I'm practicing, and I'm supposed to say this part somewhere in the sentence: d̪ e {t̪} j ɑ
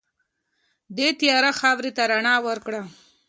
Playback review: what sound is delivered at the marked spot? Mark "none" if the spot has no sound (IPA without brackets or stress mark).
t̪